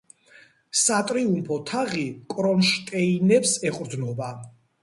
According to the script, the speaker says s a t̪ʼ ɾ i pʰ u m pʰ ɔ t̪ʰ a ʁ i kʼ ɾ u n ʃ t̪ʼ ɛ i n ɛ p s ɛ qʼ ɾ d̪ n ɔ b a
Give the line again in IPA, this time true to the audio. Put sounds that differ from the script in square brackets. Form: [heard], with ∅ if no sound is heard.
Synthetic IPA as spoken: s a t̪ʼ ɾ i [∅] u m pʰ ɔ t̪ʰ a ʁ i kʼ ɾ [ɔ] n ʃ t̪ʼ ɛ i n ɛ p s ɛ qʼ ɾ d̪ n ɔ b a

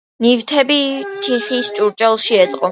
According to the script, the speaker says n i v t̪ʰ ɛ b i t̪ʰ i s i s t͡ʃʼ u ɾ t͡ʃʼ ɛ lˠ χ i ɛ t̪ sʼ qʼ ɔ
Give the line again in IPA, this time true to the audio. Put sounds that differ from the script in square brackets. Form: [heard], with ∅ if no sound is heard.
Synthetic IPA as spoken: n i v t̪ʰ ɛ b i t̪ʰ i [χ] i s t͡ʃʼ u ɾ t͡ʃʼ ɛ lˠ [ʃ] i ɛ t̪ sʼ qʼ ɔ

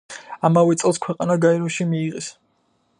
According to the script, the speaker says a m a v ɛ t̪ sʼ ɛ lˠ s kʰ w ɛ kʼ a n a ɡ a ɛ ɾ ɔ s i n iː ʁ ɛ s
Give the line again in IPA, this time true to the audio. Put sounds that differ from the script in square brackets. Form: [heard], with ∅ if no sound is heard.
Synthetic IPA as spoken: a m a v ɛ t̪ sʼ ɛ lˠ s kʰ w ɛ [qʼ] a n a ɡ a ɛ ɾ ɔ [ʃ] i [m] iː ʁ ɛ s

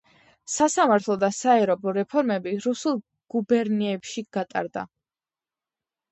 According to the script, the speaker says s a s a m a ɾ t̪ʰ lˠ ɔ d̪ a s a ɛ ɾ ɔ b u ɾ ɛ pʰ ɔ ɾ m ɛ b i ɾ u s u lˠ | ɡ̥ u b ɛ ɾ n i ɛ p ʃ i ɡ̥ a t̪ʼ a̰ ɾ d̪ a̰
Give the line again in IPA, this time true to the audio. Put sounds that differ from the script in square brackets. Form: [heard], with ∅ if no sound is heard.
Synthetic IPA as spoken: s a s a m a ɾ t̪ʰ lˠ ɔ d̪ a s a ɛ ɾ ɔ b [ɔ] ɾ ɛ pʰ ɔ ɾ m ɛ b i ɾ u s u lˠ | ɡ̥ u b ɛ ɾ n i ɛ p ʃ i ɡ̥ a t̪ʼ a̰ ɾ d̪ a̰

